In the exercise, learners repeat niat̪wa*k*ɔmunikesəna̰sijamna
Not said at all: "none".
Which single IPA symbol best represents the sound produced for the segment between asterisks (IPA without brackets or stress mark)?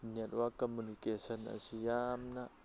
k